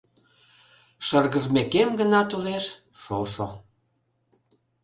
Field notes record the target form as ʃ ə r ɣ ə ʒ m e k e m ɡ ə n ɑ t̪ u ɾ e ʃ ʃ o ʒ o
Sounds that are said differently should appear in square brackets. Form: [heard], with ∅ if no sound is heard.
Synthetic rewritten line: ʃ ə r ɣ ə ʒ m e k e m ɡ ə n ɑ t̪ u [l] e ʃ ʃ o [ʃ] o